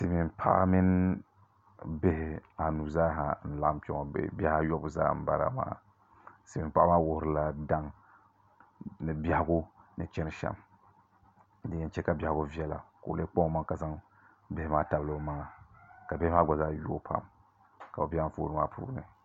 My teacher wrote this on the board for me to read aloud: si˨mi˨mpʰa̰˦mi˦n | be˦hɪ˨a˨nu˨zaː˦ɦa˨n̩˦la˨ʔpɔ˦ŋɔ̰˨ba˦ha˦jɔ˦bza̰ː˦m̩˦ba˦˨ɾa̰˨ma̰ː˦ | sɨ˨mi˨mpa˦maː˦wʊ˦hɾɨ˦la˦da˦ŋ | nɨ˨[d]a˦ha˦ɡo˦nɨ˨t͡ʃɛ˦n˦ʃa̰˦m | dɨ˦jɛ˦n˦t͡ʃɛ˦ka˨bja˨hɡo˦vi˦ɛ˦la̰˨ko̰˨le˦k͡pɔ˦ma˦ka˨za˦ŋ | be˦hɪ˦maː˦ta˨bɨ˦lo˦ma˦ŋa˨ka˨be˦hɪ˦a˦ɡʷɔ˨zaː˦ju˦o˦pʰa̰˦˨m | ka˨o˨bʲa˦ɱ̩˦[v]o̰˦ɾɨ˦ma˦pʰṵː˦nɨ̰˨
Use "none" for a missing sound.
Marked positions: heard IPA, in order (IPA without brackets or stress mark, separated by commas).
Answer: b, f